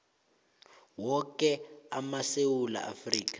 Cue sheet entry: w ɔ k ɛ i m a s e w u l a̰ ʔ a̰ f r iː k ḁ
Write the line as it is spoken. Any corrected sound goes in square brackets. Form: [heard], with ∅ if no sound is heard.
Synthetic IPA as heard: w ɔ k ɛ [a] m a s e w u l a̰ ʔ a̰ f r iː k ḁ